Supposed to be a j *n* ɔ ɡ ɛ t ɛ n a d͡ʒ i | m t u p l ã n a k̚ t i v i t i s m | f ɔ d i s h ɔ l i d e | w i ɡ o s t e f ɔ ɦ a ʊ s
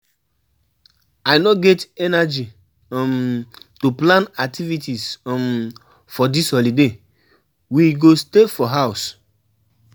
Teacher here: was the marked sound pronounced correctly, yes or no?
yes